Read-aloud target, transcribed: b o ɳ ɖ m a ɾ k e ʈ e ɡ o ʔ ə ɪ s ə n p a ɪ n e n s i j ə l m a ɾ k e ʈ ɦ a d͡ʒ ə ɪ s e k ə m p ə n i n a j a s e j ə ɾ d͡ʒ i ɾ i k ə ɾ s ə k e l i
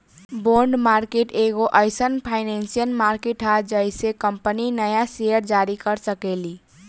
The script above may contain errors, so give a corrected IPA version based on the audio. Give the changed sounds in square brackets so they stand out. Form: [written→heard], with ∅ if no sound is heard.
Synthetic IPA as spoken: b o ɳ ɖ m a ɾ k e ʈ e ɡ o ʔ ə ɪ s ə n [p→pʰ] a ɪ n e n s i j ə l m a ɾ k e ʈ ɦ a d͡ʒ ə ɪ s e k ə m p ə n i n [a→ə] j a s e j ə ɾ d͡ʒ [i→a] ɾ i k ə ɾ s ə k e l i